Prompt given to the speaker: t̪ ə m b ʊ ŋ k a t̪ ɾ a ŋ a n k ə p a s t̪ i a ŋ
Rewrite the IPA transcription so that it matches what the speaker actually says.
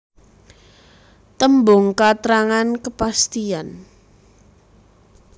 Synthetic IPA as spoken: t̪ ə m b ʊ ŋ k a t̪ ɾ a ŋ a n k ə p a s t̪ i a n